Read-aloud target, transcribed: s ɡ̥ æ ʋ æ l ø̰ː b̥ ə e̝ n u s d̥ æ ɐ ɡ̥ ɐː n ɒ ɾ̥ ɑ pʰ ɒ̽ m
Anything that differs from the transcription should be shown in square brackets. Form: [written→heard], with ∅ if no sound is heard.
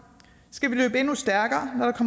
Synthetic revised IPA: s ɡ̥ æ ʋ [æ→i] l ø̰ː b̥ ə e̝ n u s d̥ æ ɐ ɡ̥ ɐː n ɒ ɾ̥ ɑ [pʰ→kʰ] ɒ̽ m